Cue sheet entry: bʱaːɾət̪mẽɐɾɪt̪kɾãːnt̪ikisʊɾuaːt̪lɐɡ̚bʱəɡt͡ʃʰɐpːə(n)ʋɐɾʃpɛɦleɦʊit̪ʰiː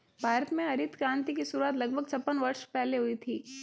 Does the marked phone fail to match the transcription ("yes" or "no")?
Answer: no